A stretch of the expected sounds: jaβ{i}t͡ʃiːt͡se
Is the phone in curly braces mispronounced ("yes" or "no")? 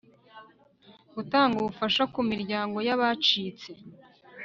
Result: yes